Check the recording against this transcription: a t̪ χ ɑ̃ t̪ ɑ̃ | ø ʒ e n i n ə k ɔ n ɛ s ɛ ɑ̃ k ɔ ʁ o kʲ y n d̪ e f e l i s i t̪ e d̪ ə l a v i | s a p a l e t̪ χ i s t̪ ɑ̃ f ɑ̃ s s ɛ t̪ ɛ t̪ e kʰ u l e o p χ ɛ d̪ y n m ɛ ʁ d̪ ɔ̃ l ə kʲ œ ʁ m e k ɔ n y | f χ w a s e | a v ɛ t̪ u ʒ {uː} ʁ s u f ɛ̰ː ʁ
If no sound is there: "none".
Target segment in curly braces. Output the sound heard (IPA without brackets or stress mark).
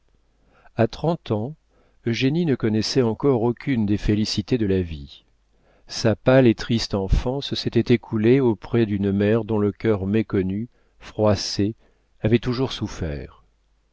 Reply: u